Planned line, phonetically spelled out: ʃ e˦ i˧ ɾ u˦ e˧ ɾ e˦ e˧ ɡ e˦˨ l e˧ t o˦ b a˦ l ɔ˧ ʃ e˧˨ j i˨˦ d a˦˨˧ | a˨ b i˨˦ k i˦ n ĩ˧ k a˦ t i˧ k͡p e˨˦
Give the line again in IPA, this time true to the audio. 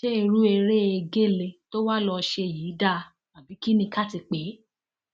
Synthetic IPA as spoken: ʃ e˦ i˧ ɾ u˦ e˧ ɾ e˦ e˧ ɡ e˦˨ l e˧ t o˦ w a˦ l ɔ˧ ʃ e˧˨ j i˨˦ d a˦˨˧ | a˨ b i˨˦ k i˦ n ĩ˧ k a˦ t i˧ k͡p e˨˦

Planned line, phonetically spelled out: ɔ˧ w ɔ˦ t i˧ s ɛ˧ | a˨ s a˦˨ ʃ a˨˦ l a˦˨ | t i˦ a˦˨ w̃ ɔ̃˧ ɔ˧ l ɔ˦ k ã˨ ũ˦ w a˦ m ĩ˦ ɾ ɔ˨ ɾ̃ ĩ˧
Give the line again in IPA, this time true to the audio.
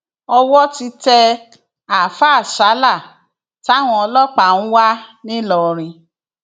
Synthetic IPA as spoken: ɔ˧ w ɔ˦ t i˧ t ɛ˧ | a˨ f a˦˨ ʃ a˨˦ l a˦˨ | t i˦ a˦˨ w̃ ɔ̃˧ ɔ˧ l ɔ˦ k͡p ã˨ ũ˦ w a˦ n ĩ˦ l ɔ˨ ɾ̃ ĩ˧

